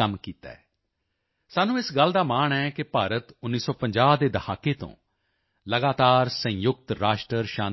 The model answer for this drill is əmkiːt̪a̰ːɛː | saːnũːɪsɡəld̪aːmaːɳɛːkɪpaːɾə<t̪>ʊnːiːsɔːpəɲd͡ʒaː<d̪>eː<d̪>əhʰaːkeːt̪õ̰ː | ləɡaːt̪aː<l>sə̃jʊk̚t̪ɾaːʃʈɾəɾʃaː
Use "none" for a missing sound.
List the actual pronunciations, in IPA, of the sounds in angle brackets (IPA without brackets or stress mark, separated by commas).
t̪, d̪, d̪, ɾ